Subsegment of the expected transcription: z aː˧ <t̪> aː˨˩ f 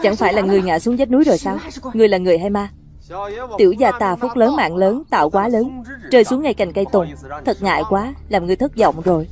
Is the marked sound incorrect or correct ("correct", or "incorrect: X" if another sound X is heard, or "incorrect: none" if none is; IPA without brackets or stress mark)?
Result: correct